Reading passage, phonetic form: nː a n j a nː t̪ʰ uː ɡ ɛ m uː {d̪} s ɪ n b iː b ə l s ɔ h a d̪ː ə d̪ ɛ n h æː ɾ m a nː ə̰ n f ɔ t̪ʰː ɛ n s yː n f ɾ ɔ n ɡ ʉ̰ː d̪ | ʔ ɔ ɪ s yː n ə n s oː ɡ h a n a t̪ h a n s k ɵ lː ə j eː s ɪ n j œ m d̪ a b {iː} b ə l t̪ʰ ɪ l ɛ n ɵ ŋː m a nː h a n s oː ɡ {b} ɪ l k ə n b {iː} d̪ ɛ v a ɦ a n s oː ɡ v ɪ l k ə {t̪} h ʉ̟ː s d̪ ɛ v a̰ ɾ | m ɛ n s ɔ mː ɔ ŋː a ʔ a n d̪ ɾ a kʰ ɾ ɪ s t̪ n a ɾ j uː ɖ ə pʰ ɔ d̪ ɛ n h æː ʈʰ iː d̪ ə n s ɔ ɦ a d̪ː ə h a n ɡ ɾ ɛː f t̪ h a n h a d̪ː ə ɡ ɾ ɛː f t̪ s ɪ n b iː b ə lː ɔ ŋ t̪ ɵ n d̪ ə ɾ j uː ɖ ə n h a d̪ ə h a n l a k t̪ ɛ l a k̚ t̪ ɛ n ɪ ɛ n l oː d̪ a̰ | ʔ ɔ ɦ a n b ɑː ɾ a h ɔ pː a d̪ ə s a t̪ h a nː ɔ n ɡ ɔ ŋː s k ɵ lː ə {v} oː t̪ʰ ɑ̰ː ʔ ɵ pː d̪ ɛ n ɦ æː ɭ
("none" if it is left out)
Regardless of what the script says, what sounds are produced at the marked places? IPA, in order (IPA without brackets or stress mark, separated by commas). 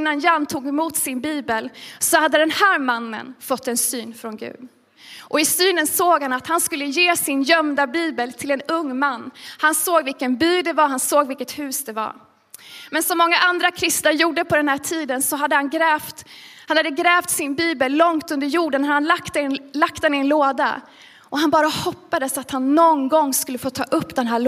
t̪, iː, v, yː, t̪, f